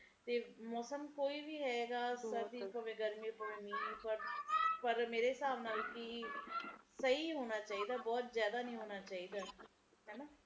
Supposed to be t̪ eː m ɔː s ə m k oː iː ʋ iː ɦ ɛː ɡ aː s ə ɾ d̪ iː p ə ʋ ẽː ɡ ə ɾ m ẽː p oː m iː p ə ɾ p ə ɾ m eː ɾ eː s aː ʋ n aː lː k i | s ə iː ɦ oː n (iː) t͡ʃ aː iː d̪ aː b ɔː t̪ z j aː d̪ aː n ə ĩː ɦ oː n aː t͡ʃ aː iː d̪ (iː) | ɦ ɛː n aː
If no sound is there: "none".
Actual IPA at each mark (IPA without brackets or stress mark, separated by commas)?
aː, aː